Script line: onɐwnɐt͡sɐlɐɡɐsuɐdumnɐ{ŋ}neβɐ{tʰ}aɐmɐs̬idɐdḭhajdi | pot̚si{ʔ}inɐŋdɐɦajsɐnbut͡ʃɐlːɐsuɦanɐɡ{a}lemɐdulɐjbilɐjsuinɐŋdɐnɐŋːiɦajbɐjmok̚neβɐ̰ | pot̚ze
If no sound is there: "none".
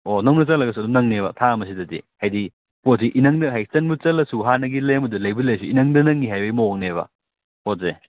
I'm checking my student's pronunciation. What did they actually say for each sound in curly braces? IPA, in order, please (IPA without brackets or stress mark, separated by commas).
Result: ŋ, tʰ, ʔ, i